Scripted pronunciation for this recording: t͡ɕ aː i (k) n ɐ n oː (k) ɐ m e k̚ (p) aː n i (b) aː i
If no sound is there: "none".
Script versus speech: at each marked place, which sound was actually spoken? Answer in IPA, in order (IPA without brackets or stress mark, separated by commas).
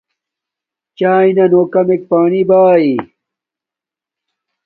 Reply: none, k, p, b